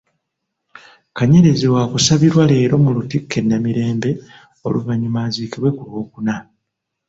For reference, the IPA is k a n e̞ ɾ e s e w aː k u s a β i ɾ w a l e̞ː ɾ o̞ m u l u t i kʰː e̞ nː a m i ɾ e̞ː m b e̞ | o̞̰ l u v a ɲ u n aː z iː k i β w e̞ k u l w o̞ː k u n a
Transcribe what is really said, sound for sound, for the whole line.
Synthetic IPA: k a ɲ e̞ ɾ e z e w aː k u s a β i ɾ w a l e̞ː ɾ o̞ m u l u t i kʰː e̞ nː a m i ɾ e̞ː m b e̞ | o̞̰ l u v a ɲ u m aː z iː k i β w e̞ k u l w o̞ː k u n a

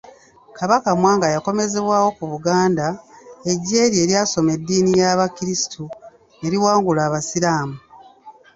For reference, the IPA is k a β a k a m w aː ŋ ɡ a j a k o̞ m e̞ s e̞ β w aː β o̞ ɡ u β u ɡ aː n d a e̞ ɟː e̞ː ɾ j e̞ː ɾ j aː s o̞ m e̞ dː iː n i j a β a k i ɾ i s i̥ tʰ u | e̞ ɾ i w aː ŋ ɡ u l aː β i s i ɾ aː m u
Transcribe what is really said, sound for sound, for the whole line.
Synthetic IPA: k a β a k a m w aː ŋ ɡ a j a k o̞ m e̞ z e̞ β w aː w o̞ k u β u ɡ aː n d a e̞ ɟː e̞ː ɾ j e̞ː ɾ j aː s o̞ m e̞ dː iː n i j a β a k i ɾ i s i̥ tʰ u | e̞ ɾ i w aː ŋ ɡ u l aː β a s i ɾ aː m u

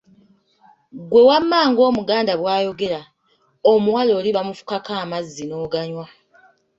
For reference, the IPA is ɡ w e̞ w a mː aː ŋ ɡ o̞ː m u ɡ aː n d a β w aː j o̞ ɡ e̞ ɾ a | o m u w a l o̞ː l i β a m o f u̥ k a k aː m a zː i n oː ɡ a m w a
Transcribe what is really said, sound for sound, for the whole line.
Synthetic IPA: ɡ w e̞ w a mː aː ŋ ɡ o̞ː m u ɡ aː n d a β w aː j o̞ ɡ e̞ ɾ a | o m u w a l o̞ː l i β a m u f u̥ k a k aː m a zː i n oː ɡ a ɲ w a

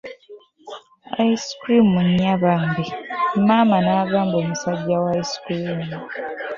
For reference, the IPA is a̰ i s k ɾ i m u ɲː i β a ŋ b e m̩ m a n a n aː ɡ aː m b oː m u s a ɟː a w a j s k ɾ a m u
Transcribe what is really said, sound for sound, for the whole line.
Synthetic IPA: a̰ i s k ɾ i m u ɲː a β a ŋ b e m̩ m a m a n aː ɡ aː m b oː m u s a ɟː a w a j s k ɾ i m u

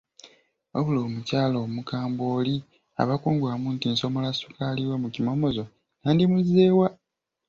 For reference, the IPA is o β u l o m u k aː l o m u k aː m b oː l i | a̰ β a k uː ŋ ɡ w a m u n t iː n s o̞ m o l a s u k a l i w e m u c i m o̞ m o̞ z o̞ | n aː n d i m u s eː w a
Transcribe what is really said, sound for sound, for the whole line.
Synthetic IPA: o β u l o m u c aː l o m u k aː m b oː l i | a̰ β a k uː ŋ ɡ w a m u n t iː n s o̞ m o l a s u k a l i w e m u c i m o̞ m o̞ z o̞ | n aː n d i m u z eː w a

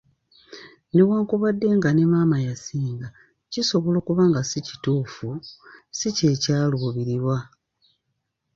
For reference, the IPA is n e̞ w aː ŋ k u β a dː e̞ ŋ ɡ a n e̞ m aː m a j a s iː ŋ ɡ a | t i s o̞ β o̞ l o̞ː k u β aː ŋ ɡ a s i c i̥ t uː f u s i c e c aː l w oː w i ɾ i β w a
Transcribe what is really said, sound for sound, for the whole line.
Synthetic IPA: n e̞ w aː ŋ k u β a dː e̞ ŋ ɡ a n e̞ m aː m a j a s iː ŋ ɡ a | c i s o̞ β o̞ l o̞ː k u β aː ŋ ɡ a s i c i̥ t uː f u s i c e c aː l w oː β i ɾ i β w a

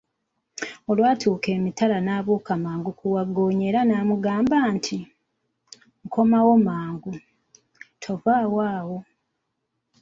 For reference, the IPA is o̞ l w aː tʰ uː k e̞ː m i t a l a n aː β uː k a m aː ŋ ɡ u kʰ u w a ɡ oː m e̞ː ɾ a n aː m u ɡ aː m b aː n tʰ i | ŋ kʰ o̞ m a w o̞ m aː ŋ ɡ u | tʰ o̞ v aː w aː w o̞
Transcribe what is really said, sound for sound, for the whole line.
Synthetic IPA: o̞ l w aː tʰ uː k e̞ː m i t a l a n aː β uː k a m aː ŋ ɡ u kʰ u w a ɡ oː ɲ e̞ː ɾ a n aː m u ɡ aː m b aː n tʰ i | ŋ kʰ o̞ m a w o̞ m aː ŋ ɡ u | tʰ o̞ v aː w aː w o̞

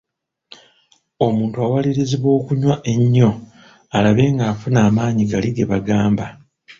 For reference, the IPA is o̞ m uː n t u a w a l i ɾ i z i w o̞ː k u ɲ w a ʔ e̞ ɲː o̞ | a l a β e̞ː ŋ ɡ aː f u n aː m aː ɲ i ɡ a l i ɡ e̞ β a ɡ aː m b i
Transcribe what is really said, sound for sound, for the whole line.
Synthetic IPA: o̞ m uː n t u a w a l i ɾ i z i β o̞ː k u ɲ w a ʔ e̞ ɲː o̞ | a l a β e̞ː ŋ ɡ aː f u n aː m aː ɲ i ɡ a l i ɡ e̞ β a ɡ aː m b a

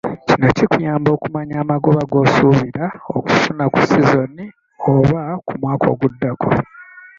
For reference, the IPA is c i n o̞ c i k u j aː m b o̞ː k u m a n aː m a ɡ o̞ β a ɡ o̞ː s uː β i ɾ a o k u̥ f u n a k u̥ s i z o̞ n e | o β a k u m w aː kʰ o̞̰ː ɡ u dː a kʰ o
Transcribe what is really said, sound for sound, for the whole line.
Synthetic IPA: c i n o̞ c i k u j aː m b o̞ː k u m a ɲ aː m a ɡ o̞ β a ɡ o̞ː s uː β i ɾ a o k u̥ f u n a k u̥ s i z o̞ n i | o β a k u m w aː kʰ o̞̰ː ɡ u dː a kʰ o

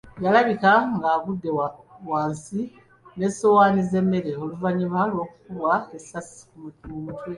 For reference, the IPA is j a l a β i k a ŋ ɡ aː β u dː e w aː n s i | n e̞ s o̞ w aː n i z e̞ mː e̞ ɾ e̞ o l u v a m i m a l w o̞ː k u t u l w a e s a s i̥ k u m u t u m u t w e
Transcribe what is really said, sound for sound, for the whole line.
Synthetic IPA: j a l a β i k a ŋ ɡ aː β u dː e w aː n s i | n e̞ s o̞ w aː n i z e̞ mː e̞ ɾ e̞ o l u v a ɲ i m a l w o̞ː k u k u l w a e s a s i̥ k u m u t u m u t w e

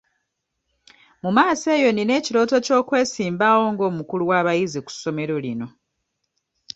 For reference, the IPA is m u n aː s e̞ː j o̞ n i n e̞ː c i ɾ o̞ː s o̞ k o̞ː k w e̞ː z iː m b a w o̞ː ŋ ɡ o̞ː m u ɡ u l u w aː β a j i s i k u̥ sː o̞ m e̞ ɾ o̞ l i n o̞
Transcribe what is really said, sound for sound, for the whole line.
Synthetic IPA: m u m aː s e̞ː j o̞ n i n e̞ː c i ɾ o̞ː t o̞ c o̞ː k w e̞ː s iː m b a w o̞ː ŋ ɡ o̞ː m u k u l u w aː β a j i z i k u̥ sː o̞ m e̞ ɾ o̞ l i n o̞

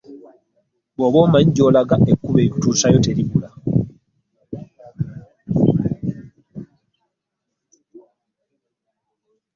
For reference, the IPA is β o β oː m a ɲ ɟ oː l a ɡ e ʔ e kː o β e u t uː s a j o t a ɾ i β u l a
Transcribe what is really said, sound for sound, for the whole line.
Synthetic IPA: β o β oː m a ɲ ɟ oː l a ɡ a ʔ e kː u β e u t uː s a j o t e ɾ i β u l a

